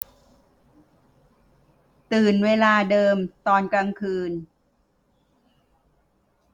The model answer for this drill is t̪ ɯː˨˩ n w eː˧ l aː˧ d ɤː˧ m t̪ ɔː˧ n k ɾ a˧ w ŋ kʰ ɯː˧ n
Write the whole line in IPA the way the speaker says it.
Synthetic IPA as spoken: t̪ ɯː˨˩ n w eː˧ l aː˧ d ɤː˧ m t̪ ɔː˧ n k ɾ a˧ ŋ kʰ ɯː˧ n